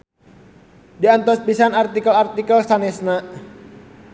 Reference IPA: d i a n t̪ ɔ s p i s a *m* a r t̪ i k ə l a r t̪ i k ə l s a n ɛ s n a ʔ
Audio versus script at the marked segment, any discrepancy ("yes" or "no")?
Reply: yes